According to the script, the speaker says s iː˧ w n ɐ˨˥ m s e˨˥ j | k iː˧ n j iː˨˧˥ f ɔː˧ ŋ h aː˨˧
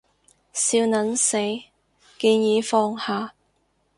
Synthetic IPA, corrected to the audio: s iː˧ w n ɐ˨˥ n s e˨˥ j | k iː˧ n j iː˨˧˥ f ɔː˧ ŋ h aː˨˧